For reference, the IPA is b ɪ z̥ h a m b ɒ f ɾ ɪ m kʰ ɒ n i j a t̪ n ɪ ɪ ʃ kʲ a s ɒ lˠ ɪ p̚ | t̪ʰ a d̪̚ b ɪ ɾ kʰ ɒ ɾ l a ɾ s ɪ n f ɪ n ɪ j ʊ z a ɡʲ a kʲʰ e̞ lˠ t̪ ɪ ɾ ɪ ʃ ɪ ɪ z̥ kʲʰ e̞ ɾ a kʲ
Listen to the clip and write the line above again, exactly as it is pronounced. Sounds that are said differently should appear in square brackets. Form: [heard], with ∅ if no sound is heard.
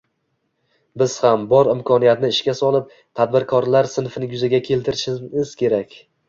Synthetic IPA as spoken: b ɪ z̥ h a m b ɒ [∅] ɾ ɪ m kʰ ɒ n i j a t̪ n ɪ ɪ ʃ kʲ a s ɒ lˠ ɪ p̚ | t̪ʰ a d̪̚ b ɪ ɾ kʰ ɒ ɾ l a ɾ s ɪ n f ɪ n ɪ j ʊ z a ɡʲ a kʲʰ e̞ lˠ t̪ ɪ ɾ ɪ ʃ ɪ ɪ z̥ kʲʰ e̞ ɾ a kʲ